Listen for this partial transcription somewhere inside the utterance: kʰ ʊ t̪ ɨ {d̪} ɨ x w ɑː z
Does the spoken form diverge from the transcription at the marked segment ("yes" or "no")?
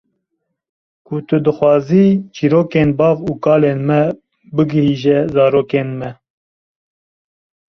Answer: no